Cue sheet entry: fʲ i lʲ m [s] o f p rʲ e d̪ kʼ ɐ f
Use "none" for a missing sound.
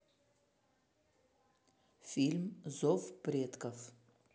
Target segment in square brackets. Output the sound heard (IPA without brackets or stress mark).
z